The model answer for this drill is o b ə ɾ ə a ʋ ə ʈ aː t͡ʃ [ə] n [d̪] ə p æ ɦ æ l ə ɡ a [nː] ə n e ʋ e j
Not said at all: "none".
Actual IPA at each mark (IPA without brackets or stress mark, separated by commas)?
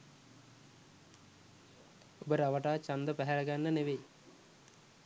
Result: a, d̪, nː